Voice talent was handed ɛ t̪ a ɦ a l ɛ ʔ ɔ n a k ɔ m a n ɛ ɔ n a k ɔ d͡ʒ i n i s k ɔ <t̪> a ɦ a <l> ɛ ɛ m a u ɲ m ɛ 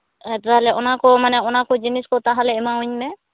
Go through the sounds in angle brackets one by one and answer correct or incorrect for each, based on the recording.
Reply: correct, correct

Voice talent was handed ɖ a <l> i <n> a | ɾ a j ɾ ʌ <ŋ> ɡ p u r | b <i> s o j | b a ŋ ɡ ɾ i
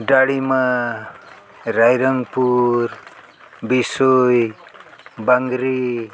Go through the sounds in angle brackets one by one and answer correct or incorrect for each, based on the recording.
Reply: incorrect: ɽ, incorrect: m, correct, correct

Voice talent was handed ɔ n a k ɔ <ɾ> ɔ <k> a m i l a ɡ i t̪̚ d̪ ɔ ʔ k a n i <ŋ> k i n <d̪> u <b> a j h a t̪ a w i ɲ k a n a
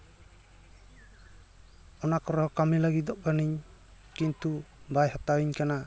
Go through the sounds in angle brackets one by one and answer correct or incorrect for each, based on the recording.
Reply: correct, correct, incorrect: ɲ, incorrect: t̪, correct

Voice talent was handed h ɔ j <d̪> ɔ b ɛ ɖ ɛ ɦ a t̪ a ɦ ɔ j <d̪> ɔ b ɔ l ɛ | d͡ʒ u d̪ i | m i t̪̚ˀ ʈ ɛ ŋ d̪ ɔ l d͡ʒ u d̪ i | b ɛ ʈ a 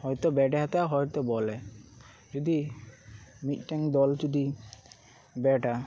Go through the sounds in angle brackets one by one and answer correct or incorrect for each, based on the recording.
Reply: incorrect: t̪, incorrect: t̪

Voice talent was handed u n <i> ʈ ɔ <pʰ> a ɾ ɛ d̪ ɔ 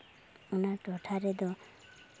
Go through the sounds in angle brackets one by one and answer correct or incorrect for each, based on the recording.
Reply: incorrect: a, incorrect: ʈʰ

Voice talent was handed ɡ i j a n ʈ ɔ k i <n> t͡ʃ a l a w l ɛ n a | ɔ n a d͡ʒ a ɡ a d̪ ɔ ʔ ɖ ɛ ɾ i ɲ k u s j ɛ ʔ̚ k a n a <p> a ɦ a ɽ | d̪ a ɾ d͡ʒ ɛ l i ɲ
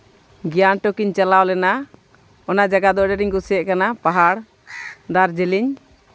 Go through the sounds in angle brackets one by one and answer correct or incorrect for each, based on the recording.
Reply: incorrect: ɲ, correct

